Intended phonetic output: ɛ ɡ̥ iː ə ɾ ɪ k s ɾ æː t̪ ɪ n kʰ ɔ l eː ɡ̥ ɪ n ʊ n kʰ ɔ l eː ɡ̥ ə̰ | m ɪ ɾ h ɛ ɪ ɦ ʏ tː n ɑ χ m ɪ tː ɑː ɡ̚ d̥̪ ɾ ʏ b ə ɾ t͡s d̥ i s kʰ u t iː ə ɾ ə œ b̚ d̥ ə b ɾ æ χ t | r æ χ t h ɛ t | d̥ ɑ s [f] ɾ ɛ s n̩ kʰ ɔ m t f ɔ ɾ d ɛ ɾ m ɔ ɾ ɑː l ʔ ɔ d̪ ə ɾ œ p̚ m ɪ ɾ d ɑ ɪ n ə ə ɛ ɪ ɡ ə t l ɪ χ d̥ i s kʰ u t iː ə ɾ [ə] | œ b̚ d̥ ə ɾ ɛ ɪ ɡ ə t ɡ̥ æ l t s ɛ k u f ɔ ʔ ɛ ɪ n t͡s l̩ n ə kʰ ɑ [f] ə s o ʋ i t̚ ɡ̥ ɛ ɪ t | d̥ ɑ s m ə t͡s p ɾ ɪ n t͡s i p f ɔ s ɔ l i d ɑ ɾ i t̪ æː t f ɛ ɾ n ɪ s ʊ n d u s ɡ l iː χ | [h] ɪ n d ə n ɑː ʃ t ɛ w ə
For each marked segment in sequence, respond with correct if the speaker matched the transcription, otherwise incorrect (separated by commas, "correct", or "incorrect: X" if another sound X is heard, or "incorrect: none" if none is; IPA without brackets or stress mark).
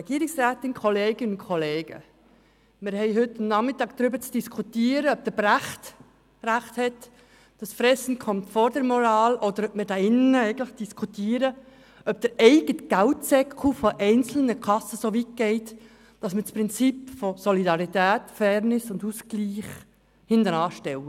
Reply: correct, correct, incorrect: s, correct